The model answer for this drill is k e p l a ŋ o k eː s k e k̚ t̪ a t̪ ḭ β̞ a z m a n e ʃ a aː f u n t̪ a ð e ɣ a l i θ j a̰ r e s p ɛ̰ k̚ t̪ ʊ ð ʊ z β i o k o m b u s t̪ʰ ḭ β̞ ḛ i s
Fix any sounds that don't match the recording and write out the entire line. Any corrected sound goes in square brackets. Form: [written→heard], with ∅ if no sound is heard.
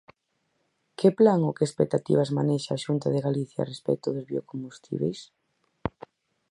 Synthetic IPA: k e p l a ŋ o k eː s [k→p] e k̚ t̪ a t̪ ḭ β̞ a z m a n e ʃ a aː [f→ʃ] u n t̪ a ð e ɣ a l i θ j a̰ r e s p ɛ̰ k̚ t̪ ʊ ð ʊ z β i o k o m b u s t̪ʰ ḭ β̞ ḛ [i→j] s